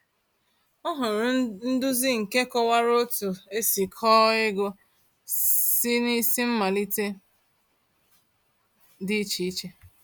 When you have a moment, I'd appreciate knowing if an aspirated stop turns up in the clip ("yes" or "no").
yes